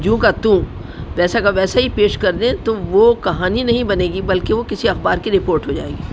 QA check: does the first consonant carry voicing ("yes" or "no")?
yes